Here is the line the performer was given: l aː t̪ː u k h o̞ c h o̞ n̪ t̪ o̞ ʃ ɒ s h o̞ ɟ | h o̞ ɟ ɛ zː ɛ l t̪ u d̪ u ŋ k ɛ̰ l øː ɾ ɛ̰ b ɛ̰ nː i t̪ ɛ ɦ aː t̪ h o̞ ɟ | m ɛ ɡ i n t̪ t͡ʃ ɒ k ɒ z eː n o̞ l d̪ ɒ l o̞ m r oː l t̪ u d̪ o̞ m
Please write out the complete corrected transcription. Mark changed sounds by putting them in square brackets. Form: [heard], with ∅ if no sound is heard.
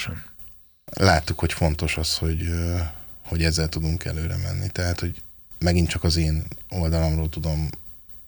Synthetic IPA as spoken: l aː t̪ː u k h o̞ c [f] o̞ n̪ t̪ o̞ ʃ ɒ s h o̞ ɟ | h o̞ ɟ ɛ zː ɛ l t̪ u d̪ u ŋ k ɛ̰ l øː ɾ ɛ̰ [m] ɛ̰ nː i t̪ ɛ ɦ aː t̪ h o̞ ɟ | m ɛ ɡ i n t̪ t͡ʃ ɒ k ɒ z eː n o̞ l d̪ ɒ l o̞ m r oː l t̪ u d̪ o̞ m